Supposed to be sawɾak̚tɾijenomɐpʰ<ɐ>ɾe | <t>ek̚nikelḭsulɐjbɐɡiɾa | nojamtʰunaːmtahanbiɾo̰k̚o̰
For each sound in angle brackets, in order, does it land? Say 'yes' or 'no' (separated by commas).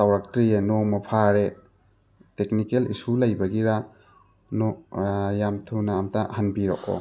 no, yes